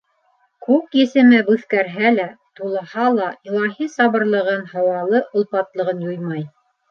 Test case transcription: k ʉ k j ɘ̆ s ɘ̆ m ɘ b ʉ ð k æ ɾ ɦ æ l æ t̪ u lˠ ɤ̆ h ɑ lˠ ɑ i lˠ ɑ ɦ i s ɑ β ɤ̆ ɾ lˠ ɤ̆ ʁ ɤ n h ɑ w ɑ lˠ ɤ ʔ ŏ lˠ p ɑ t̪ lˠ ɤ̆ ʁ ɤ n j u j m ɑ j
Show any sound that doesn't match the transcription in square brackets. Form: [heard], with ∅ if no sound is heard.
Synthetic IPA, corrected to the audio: k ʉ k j ɘ̆ s ɘ̆ m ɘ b ʉ [θ] k æ ɾ ɦ æ l æ t̪ u lˠ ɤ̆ h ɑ lˠ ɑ i lˠ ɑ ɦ i s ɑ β ɤ̆ ɾ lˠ ɤ̆ ʁ ɤ n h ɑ w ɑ lˠ ɤ ʔ ŏ lˠ p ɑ t̪ lˠ ɤ̆ ʁ ɤ n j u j m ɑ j